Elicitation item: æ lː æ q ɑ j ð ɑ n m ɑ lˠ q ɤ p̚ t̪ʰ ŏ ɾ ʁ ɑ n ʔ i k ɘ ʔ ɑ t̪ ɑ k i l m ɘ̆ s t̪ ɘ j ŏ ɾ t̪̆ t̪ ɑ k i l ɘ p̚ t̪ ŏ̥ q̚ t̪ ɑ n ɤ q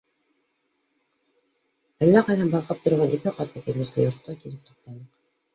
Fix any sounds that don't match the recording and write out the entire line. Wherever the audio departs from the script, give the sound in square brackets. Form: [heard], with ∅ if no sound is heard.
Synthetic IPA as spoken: æ lː æ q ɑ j ð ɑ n [b] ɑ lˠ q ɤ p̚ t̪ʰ ŏ ɾ ʁ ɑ n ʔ i k ɘ [q] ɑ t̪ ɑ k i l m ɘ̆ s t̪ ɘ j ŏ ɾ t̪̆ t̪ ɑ k i l ɘ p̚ t̪ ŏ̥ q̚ t̪ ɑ n ɤ q